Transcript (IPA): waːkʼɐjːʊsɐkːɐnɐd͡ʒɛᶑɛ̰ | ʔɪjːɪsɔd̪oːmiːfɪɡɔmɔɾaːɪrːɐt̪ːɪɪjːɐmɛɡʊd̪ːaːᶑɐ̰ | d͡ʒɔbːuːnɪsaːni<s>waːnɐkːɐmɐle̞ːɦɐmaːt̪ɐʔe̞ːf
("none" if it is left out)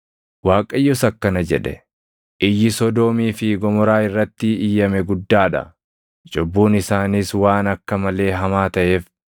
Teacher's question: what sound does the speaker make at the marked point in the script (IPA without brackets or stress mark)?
s